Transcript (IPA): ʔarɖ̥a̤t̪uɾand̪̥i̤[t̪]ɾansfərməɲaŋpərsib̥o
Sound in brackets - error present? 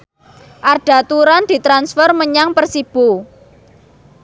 no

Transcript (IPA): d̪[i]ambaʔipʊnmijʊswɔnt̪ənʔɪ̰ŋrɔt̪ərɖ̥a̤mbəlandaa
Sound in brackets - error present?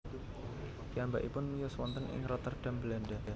no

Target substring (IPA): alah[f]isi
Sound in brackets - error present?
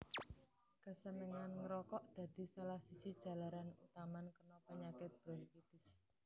yes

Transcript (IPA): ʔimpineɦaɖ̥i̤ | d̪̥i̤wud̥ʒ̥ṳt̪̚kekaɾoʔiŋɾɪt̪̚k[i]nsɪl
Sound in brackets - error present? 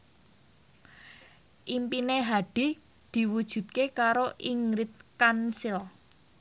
yes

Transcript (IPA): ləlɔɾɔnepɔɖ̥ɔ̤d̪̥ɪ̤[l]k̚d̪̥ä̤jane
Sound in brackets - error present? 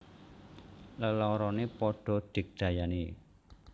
yes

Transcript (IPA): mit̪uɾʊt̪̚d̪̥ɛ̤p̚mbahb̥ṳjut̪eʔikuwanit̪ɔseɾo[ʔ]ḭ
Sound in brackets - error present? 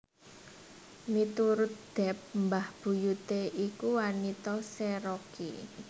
yes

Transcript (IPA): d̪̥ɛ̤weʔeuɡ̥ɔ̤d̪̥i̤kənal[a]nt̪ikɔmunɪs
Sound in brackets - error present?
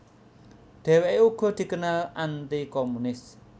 no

